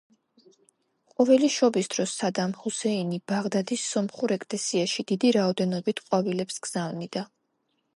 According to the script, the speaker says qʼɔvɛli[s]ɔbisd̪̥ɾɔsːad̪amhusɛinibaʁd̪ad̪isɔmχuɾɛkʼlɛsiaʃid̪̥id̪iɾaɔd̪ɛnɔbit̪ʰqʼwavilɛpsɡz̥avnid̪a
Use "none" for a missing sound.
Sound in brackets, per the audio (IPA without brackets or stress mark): ʃ